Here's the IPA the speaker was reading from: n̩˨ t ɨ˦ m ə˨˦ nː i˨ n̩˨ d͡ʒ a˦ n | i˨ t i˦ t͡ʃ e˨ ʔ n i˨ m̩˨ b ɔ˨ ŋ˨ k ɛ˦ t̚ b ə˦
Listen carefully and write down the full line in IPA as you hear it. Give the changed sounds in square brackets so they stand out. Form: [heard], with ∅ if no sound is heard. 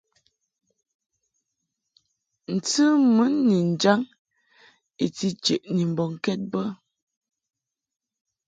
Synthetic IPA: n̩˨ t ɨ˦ m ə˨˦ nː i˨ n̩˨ d͡ʒ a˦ [ŋ] | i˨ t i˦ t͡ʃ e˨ ʔ n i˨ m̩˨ b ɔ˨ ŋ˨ k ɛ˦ t̚ b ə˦